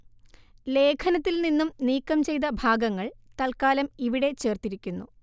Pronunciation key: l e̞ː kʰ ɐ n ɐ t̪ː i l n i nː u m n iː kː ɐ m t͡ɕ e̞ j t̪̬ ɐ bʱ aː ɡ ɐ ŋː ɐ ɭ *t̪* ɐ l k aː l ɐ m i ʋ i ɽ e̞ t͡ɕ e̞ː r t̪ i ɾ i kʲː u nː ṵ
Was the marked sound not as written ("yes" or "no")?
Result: no